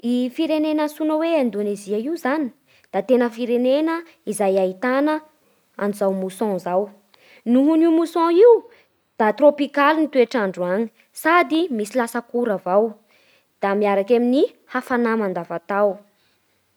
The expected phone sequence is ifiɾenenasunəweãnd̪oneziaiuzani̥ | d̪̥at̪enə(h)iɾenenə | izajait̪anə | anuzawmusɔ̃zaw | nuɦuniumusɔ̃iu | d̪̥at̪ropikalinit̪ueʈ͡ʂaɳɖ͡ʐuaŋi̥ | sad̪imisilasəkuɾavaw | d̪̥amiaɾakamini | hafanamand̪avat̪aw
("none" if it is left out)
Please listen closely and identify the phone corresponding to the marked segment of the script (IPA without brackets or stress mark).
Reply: f